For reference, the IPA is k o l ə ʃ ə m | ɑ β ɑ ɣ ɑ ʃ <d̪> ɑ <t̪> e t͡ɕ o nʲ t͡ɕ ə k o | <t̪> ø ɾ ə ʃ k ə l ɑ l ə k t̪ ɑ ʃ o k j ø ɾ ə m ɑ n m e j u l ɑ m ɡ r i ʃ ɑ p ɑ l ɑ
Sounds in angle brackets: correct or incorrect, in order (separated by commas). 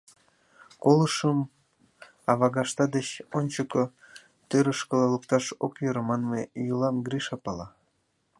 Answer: incorrect, incorrect, correct